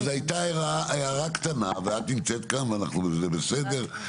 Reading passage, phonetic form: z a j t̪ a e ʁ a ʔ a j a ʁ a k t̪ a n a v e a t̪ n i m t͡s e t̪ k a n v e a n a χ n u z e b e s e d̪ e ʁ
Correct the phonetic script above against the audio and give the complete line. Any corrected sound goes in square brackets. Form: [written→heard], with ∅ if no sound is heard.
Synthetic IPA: z a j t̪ a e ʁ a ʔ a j a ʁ a k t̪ a n a v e a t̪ n i m t͡s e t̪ k a n v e a n a χ n u z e b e s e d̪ e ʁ